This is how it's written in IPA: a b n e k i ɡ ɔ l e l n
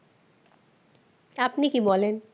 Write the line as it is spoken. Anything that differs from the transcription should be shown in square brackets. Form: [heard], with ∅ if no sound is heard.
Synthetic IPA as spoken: a [p] n [i] k i [b] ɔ l e [∅] n

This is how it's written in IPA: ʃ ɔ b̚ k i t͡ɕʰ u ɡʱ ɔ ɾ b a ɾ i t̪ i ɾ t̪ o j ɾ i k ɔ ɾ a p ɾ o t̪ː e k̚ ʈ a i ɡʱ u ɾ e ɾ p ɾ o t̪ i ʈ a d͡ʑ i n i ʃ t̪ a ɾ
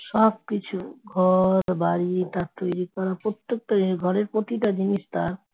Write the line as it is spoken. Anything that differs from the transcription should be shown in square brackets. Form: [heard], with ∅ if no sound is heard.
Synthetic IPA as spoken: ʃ ɔ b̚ k i t͡ɕʰ u ɡʱ ɔ ɾ b a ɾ i t̪ [a] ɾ t̪ o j ɾ i k ɔ ɾ a p ɾ o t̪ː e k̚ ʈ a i ɡʱ [ɔ] ɾ e ɾ p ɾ o t̪ i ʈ a d͡ʑ i n i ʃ t̪ a ɾ

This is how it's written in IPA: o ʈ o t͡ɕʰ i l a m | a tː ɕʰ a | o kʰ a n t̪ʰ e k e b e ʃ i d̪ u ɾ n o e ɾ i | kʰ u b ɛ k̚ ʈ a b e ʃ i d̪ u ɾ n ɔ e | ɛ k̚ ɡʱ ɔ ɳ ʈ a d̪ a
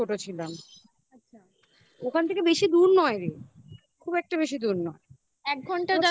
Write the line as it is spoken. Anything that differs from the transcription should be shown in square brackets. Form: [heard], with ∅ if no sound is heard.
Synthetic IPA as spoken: o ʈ o t͡ɕʰ i l a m | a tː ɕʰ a | o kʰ a n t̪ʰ e k e b e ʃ i d̪ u ɾ n [ɔ] e ɾ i | kʰ u b ɛ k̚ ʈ a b e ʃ i d̪ u ɾ n ɔ e | ɛ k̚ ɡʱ ɔ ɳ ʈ a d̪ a

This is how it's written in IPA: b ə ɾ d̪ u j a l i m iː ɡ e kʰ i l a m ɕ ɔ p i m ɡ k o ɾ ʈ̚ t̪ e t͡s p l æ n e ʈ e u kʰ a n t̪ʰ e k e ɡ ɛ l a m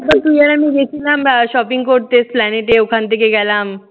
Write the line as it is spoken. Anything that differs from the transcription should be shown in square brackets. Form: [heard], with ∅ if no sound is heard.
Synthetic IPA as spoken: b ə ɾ [t̪] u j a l [a] m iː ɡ e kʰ i l a m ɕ ɔ p i [ŋ] ɡ k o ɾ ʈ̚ t̪ e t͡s p l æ n e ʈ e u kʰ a n [t̪] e k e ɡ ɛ l a m

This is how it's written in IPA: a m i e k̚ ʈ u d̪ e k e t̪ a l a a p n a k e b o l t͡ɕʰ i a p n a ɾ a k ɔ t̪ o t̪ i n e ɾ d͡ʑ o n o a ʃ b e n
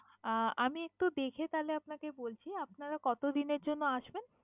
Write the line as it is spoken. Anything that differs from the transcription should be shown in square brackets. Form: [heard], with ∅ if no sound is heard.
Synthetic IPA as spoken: a m i e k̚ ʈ u d̪ e [kʰ] e t̪ a l [e] a p n a k e b o l t͡ɕʰ i a p n a ɾ a k ɔ t̪ o [d̪] i n e ɾ d͡ʑ o [nː] o a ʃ b e n

